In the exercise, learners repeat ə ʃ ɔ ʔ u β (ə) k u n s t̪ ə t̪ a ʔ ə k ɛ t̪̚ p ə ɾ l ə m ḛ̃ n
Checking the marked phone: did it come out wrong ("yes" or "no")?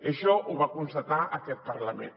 yes